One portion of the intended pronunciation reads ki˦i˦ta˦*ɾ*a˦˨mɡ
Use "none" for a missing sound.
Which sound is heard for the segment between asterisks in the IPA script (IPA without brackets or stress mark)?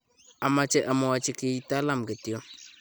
l